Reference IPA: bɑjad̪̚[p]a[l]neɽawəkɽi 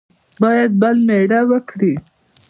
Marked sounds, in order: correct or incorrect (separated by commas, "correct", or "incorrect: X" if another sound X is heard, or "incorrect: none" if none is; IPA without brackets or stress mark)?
incorrect: b, correct